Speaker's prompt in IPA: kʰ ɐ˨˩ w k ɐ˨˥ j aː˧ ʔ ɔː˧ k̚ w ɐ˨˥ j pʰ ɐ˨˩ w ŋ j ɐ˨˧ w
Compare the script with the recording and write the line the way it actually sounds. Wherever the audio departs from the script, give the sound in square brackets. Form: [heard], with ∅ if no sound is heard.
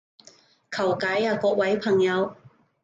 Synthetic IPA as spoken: kʰ ɐ˨˩ w k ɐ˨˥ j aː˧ [k] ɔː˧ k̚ w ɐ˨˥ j pʰ ɐ˨˩ [∅] ŋ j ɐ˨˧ w

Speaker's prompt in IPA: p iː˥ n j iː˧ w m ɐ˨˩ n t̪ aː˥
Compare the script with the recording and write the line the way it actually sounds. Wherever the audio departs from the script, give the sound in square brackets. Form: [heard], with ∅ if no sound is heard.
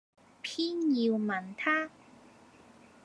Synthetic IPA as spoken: [pʰ] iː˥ n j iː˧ w m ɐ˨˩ n [t̪ʰ] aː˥

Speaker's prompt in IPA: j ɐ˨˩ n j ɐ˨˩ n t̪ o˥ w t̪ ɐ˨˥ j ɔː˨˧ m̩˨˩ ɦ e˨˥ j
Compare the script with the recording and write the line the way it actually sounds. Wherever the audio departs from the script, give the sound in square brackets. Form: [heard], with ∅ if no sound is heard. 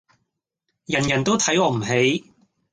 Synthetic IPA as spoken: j ɐ˨˩ n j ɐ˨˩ n t̪ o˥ w [t̪ʰ] ɐ˨˥ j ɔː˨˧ m̩˨˩ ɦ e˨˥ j

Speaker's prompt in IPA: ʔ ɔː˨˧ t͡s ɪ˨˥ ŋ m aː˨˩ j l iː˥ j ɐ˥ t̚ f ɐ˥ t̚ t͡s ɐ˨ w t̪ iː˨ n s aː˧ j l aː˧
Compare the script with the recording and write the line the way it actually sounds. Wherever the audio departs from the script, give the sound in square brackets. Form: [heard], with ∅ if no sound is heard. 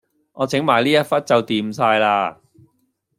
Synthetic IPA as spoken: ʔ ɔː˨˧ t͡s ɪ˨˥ ŋ m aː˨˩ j l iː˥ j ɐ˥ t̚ f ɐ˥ t̚ t͡s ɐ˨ w t̪ iː˨ [m] s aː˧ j l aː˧

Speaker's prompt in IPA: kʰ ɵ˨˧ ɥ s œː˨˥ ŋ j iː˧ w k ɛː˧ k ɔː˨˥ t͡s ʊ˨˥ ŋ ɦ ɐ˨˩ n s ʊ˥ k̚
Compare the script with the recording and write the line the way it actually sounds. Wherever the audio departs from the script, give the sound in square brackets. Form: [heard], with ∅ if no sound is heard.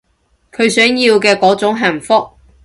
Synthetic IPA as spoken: kʰ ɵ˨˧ ɥ s œː˨˥ ŋ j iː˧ w k ɛː˧ k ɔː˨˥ t͡s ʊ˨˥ ŋ ɦ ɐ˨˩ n [f] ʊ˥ k̚

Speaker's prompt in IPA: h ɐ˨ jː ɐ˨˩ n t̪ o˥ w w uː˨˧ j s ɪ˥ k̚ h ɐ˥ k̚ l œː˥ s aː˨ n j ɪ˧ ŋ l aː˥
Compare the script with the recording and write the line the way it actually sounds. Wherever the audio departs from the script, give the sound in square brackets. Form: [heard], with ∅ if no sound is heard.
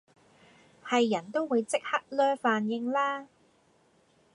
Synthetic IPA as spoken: h ɐ˨ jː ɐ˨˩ n t̪ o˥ w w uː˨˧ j [t͡s] ɪ˥ k̚ h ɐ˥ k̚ l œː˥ [f] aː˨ n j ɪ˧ ŋ l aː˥

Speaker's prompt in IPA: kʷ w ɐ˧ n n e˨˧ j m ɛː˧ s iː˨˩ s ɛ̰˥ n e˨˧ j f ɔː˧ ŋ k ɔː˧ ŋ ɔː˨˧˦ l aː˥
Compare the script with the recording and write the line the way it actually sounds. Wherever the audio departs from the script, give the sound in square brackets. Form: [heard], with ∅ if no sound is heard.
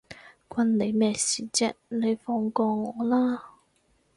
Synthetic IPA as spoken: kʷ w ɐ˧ n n e˨˧ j m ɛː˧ s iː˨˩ [t͡s] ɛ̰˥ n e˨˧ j f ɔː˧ ŋ k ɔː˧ ŋ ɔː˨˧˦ l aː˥

